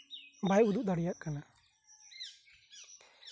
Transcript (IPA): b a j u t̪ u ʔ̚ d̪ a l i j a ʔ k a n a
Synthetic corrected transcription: b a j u d̪ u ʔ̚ d̪ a ɽ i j a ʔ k a n a